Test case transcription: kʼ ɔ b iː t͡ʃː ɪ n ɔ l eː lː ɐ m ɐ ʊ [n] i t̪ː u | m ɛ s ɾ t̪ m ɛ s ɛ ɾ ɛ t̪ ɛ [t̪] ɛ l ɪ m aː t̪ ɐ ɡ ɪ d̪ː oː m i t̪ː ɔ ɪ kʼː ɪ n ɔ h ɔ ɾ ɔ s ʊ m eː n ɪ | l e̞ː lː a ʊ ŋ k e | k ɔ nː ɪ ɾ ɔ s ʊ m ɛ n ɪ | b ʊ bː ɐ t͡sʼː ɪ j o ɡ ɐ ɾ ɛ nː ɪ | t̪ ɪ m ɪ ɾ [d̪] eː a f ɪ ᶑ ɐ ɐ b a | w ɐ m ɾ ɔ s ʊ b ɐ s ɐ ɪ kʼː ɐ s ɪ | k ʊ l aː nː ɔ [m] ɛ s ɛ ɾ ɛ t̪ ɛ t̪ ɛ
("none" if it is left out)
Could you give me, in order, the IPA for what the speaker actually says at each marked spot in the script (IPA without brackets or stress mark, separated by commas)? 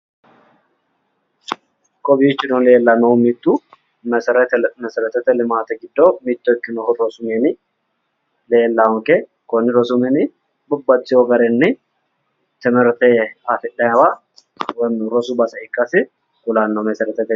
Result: m, t̪, t̪, m